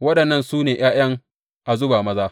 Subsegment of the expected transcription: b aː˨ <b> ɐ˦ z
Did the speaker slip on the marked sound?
yes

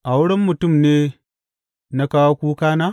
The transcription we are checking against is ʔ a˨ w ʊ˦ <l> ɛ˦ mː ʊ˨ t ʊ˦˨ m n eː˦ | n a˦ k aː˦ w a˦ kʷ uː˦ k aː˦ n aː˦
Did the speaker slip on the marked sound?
yes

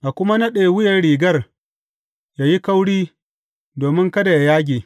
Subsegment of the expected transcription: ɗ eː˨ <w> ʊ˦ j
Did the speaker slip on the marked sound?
no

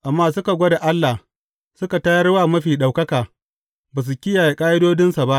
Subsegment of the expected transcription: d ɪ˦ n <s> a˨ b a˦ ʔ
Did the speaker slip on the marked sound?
no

